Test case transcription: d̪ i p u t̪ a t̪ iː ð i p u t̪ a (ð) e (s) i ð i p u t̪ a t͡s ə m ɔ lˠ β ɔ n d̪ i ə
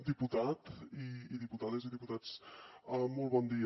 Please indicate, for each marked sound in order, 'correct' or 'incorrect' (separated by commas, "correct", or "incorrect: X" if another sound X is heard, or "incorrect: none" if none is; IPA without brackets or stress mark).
correct, incorrect: z